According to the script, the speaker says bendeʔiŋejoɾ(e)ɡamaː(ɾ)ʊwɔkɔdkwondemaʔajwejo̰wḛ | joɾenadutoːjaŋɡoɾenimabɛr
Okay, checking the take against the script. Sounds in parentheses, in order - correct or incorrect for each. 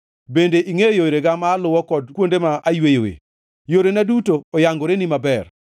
correct, incorrect: l

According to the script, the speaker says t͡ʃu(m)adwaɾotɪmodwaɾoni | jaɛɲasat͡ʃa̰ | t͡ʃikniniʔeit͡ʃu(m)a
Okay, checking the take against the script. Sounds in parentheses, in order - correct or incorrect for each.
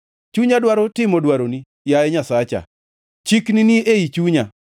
incorrect: ɲ, incorrect: ɲ

